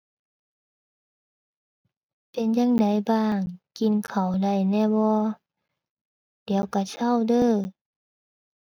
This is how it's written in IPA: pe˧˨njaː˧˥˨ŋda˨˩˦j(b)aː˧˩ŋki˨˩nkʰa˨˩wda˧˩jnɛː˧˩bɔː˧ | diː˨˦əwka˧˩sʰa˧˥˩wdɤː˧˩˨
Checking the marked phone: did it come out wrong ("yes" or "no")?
no